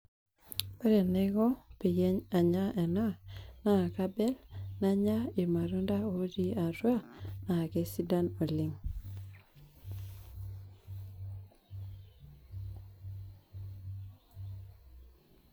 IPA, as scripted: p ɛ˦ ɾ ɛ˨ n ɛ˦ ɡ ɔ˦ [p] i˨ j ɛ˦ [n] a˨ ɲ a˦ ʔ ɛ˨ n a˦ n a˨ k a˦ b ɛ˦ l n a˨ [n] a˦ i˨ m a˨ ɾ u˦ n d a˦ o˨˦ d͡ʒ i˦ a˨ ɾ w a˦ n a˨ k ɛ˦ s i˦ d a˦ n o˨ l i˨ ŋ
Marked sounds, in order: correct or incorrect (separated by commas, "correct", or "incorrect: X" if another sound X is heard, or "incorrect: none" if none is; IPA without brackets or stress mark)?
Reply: correct, incorrect: ɲ, incorrect: ɲ